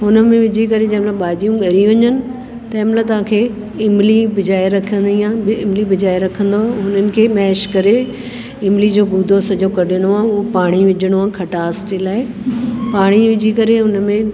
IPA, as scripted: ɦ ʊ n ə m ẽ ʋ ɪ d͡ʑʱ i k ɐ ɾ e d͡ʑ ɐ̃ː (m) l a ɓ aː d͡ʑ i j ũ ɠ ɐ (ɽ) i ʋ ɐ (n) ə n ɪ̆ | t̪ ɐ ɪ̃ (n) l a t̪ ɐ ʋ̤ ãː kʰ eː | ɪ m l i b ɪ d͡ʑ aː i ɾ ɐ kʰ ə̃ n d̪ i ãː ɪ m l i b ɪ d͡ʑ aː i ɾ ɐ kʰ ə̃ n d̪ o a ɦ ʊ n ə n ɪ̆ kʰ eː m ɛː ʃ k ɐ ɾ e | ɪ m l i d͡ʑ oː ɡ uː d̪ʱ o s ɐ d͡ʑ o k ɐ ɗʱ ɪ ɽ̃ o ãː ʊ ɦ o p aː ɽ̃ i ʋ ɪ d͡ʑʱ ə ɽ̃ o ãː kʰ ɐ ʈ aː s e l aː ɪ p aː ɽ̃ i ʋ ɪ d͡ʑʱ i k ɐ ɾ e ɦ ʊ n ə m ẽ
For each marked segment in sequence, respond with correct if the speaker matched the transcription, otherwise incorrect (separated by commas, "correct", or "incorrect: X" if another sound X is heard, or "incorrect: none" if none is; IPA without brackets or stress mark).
correct, incorrect: ɾ, incorrect: ɲ, incorrect: m